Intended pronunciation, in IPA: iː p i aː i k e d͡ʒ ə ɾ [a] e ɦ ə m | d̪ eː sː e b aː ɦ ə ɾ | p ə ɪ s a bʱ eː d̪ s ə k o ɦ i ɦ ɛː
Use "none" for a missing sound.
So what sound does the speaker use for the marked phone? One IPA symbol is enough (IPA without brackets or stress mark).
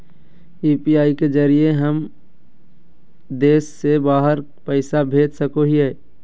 i